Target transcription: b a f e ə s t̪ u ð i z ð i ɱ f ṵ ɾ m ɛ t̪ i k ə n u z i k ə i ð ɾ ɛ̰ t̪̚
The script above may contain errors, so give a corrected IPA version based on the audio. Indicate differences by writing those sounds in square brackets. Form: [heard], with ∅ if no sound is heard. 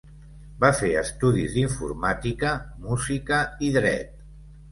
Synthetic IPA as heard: b a f e ə s t̪ u ð i z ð i ɱ f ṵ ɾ m [a] t̪ i k ə [m] u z i k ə i ð ɾ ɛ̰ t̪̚